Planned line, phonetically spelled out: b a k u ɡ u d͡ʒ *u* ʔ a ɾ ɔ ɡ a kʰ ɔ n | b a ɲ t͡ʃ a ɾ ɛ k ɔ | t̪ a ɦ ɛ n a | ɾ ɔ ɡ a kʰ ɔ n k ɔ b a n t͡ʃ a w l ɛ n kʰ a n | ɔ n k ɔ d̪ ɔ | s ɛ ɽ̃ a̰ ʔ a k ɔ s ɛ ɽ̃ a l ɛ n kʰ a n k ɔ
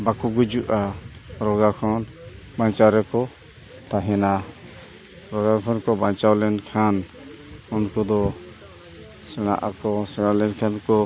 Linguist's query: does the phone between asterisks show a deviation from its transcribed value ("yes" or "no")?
no